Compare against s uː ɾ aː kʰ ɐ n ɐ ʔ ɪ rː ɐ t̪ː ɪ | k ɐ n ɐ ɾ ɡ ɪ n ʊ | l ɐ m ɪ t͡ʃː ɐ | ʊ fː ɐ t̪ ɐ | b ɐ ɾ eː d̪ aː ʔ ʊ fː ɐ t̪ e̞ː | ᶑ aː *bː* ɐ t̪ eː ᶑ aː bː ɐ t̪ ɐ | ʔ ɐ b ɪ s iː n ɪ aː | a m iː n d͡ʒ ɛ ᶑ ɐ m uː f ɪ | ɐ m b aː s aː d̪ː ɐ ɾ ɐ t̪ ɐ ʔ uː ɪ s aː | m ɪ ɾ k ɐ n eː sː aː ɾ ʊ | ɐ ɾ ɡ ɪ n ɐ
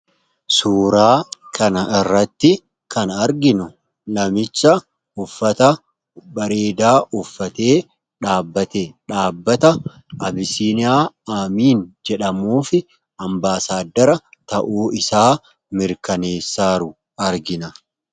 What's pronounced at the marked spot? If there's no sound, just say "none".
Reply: bː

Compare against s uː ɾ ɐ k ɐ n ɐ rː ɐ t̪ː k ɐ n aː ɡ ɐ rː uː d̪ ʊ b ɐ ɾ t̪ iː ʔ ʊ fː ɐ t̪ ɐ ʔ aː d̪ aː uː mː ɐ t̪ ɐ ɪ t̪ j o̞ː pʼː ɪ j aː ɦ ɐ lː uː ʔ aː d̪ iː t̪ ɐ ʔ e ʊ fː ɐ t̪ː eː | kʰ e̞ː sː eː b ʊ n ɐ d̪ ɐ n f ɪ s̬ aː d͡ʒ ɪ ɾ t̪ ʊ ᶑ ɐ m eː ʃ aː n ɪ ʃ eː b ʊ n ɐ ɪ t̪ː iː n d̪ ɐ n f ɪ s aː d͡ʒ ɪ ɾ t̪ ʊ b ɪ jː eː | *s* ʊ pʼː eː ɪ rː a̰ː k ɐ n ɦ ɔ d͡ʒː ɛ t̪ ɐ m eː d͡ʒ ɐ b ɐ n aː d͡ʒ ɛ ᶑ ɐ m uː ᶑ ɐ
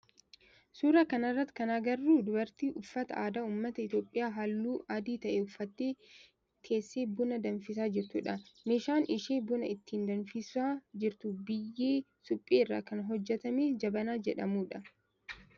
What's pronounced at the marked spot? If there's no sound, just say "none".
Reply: s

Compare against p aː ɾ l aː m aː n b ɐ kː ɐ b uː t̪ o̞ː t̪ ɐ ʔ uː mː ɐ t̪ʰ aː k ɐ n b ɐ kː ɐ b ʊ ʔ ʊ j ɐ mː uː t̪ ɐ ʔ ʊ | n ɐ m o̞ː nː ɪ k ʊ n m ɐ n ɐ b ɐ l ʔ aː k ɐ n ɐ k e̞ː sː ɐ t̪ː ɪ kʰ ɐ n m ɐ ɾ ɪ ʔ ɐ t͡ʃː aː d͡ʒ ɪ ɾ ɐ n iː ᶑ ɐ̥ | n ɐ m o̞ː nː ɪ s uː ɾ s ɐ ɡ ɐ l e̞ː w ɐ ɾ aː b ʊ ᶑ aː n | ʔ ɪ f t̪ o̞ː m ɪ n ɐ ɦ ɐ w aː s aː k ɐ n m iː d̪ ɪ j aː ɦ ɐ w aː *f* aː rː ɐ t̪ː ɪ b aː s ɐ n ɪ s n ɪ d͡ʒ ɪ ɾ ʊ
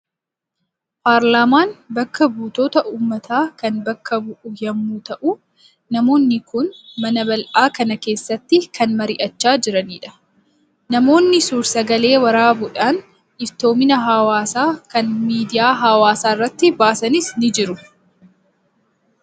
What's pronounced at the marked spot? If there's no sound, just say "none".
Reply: s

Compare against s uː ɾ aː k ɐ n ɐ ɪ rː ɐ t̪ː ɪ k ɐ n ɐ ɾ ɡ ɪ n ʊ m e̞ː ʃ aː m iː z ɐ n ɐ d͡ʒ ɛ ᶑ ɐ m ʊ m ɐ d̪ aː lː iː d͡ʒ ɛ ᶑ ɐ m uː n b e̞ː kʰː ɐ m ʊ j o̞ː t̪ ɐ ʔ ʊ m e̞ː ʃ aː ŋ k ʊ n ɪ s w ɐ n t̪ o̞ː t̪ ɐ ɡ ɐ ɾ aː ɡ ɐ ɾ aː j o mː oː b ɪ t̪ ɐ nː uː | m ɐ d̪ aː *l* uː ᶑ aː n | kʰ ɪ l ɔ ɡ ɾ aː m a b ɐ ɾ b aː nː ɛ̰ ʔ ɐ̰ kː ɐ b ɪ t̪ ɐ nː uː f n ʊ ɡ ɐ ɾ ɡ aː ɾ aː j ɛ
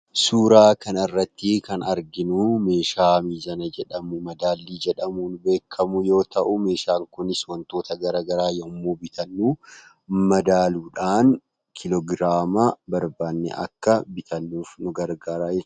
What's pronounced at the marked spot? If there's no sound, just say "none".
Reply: l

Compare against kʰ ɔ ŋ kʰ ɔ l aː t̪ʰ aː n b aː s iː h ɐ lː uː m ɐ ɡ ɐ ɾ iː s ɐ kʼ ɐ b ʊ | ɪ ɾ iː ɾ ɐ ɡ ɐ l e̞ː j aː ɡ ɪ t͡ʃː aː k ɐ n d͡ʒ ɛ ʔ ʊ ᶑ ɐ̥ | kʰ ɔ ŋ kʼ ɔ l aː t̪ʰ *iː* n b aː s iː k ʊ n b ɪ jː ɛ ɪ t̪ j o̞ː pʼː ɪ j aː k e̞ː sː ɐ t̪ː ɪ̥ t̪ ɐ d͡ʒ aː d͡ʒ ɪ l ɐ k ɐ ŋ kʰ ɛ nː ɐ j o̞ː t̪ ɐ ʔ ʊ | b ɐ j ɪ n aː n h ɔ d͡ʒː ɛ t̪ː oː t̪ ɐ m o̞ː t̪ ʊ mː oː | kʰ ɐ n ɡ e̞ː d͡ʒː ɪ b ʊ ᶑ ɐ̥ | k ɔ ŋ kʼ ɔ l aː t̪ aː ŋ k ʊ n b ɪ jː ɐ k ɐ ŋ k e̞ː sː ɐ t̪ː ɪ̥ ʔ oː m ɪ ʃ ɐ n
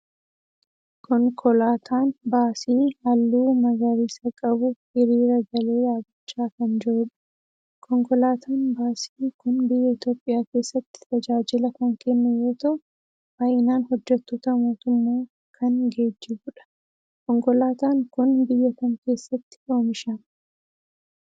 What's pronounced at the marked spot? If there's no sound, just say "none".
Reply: aː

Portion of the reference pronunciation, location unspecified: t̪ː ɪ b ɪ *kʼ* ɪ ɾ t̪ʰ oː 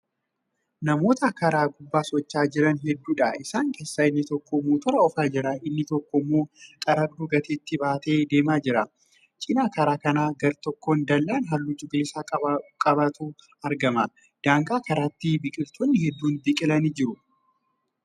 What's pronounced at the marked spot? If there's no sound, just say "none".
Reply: kʼ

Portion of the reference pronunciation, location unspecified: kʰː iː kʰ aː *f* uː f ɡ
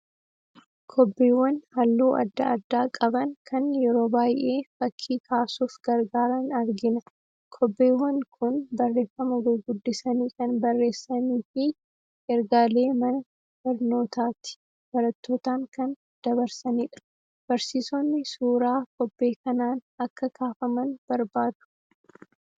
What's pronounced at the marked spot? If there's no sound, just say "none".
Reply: s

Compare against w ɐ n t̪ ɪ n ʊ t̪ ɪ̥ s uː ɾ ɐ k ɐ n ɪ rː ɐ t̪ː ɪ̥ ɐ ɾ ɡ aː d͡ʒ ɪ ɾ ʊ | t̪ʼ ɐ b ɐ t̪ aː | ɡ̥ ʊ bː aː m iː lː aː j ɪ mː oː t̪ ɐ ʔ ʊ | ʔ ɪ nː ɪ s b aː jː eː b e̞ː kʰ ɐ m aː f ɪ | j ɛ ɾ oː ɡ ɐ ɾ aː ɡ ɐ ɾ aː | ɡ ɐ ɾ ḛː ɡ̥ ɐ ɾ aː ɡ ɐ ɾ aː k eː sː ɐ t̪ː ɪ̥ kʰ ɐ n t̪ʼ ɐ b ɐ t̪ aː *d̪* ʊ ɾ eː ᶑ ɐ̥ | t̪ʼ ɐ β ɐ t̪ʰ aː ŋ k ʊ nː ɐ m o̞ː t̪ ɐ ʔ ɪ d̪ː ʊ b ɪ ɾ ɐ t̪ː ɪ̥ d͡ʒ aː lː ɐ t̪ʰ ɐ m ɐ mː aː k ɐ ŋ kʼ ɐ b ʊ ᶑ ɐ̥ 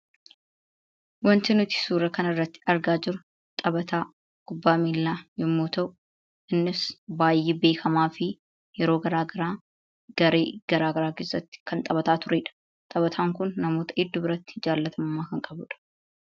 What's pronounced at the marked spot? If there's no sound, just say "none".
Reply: t̪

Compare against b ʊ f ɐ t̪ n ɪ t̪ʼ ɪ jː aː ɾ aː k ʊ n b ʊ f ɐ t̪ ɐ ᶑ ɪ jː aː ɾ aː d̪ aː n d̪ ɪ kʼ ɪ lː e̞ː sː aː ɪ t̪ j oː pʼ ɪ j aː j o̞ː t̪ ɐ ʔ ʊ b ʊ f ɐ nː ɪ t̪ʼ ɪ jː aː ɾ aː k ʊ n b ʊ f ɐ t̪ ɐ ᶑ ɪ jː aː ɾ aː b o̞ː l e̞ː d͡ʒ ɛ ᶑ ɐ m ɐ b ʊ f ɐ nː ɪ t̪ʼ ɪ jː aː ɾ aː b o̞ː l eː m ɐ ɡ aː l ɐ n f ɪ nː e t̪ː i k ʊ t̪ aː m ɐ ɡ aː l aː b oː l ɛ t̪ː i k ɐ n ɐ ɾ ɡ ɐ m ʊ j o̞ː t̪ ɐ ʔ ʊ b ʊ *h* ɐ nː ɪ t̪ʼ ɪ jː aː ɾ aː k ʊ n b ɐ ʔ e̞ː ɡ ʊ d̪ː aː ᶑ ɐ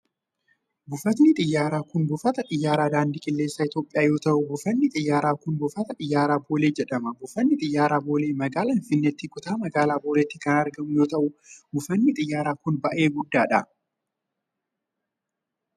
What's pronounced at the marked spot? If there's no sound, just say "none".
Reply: f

